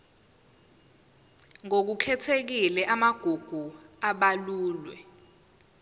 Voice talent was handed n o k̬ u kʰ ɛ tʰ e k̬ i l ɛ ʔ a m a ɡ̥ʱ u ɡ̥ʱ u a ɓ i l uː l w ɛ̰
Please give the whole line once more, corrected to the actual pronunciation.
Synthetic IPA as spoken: ŋ o k̬ u kʰ ɛ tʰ e k̬ i l ɛ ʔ a m a ɡ̥ʱ u ɡ̥ʱ u a ɓ a l uː l w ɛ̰